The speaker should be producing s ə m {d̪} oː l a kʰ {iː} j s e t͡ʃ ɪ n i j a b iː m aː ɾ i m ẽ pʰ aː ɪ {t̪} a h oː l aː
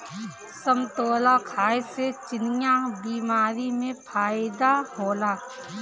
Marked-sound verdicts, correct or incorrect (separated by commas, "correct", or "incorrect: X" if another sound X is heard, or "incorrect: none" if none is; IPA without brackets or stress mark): incorrect: t̪, incorrect: aː, incorrect: d̪